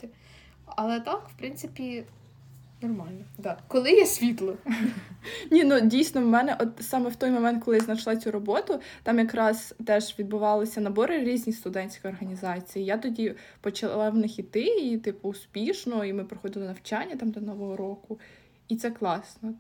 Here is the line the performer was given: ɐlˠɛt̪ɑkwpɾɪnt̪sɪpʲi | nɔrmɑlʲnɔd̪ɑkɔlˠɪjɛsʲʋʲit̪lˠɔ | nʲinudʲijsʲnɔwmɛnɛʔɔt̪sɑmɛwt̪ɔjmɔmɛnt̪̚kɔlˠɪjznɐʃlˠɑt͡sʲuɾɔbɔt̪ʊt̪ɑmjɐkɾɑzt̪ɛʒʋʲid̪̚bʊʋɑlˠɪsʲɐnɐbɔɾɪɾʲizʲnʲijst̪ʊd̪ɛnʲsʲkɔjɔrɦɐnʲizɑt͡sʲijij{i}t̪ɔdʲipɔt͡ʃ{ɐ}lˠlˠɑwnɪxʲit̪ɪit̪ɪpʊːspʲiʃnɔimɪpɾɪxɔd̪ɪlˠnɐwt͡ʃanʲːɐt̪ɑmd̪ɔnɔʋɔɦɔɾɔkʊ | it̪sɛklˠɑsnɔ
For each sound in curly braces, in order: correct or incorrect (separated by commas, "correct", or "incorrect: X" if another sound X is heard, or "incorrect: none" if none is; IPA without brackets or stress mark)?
incorrect: a, correct